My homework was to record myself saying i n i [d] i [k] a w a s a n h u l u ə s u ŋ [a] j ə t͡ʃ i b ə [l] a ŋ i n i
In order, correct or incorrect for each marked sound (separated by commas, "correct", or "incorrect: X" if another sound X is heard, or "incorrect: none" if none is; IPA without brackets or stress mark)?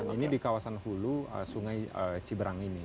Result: correct, correct, correct, incorrect: ɾ